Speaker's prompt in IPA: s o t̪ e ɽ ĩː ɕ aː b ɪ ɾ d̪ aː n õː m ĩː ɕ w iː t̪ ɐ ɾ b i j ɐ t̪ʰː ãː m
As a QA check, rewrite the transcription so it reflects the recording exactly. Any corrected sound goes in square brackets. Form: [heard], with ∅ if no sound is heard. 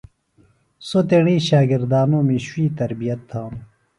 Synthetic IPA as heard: s o t̪ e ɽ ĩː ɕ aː [ɡ] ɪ ɾ d̪ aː n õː m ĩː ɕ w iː t̪ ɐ ɾ b i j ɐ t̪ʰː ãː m

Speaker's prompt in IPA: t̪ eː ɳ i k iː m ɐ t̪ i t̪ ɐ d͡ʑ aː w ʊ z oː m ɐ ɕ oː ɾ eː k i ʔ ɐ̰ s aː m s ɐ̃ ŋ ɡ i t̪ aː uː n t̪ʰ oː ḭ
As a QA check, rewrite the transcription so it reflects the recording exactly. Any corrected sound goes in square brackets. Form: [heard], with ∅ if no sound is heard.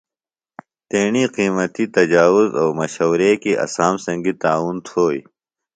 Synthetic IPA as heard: t̪ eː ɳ i [q] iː m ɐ t̪ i t̪ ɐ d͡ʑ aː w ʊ z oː m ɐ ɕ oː ɾ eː k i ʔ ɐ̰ s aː m s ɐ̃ ŋ ɡ i t̪ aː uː n t̪ʰ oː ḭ

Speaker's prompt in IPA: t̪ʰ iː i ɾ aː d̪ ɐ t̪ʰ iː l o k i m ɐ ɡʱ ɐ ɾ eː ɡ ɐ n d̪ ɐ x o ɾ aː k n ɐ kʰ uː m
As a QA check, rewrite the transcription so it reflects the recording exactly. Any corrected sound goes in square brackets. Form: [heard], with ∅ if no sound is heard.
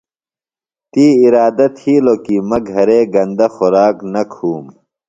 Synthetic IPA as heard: [t̪] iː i ɾ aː d̪ ɐ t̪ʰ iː l o k i m ɐ ɡʱ ɐ ɾ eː ɡ ɐ n d̪ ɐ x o ɾ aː k n ɐ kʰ uː m

